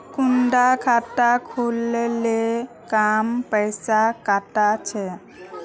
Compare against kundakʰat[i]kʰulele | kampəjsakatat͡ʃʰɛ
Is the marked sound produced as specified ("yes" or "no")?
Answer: no